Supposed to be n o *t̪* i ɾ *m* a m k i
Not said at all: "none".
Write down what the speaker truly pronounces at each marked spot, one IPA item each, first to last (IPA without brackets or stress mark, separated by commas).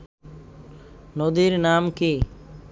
d̪, n